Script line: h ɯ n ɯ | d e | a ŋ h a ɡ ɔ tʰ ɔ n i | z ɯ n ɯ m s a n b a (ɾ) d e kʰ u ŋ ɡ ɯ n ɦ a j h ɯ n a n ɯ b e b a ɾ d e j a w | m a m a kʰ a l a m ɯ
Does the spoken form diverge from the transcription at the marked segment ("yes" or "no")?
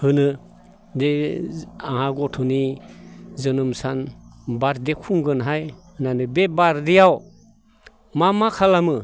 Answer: no